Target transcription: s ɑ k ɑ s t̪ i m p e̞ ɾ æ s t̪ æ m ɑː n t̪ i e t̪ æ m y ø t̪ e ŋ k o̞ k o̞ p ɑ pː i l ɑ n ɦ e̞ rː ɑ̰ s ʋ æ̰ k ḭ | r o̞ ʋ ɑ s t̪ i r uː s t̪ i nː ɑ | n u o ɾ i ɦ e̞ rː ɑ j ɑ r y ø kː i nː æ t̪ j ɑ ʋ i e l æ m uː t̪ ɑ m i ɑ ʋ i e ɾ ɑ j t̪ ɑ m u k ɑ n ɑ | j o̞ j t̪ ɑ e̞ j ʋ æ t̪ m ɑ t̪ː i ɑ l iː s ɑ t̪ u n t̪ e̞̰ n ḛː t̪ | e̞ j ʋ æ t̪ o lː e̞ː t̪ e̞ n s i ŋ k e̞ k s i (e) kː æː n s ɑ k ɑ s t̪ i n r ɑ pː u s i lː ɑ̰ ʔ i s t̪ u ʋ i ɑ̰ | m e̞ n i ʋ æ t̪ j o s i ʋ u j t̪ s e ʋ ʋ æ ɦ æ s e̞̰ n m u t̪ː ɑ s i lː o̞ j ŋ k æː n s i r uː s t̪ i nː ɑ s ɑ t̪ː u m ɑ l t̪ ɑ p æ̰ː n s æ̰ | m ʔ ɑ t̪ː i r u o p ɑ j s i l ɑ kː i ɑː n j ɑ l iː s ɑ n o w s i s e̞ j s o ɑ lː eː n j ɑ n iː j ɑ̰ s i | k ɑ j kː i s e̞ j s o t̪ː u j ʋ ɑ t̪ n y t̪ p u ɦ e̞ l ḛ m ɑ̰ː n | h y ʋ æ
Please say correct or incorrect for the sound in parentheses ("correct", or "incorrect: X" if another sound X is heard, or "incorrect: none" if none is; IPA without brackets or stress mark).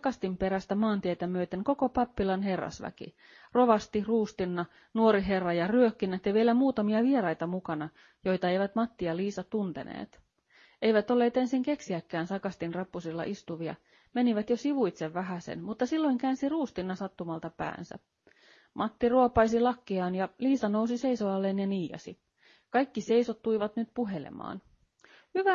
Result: incorrect: æ